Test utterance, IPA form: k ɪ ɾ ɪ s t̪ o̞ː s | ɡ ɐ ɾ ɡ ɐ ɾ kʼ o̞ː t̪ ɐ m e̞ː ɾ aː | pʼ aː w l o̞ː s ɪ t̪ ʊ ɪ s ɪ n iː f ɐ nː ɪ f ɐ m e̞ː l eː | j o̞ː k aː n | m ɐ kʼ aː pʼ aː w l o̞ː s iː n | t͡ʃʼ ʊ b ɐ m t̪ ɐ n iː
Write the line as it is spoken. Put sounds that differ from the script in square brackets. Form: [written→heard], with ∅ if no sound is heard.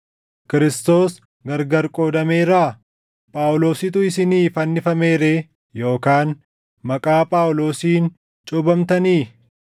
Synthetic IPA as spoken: k ɪ ɾ ɪ s t̪ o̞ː s | ɡ ɐ ɾ ɡ ɐ ɾ kʼ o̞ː [t̪→d̪] ɐ m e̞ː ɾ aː | pʼ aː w l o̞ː s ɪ t̪ ʊ ɪ s ɪ n iː f ɐ nː ɪ f ɐ m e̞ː [l→ɾ] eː | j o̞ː k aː n | m ɐ kʼ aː pʼ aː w l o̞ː s iː n | t͡ʃʼ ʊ b ɐ m t̪ ɐ n iː